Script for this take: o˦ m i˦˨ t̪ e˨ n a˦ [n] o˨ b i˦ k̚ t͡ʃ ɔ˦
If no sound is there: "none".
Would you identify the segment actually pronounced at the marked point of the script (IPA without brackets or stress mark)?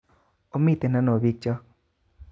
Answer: n